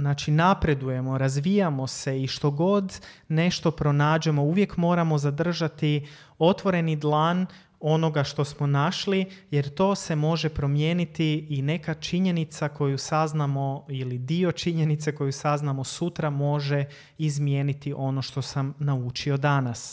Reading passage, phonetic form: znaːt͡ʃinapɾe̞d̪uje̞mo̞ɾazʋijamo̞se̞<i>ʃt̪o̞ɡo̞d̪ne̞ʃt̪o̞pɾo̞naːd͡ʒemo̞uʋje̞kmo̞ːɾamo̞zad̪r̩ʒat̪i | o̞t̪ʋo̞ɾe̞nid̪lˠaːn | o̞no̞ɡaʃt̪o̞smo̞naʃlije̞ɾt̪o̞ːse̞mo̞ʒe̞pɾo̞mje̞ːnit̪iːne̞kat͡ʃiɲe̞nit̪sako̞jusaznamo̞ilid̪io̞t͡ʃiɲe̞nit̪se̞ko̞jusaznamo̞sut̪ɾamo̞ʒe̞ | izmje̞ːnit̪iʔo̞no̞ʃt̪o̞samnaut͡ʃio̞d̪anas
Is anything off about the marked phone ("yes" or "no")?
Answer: no